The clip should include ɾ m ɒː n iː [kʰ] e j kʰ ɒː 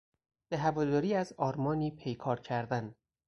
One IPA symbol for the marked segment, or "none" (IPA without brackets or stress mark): pʰ